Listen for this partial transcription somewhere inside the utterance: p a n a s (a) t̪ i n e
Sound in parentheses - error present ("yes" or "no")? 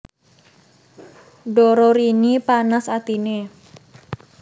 no